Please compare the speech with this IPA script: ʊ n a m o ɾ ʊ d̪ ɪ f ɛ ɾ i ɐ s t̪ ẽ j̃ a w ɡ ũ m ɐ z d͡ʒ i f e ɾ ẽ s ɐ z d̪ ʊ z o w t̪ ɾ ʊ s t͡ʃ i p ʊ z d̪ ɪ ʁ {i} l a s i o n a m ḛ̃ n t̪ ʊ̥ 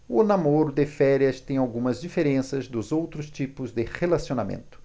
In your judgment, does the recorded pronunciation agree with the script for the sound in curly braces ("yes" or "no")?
no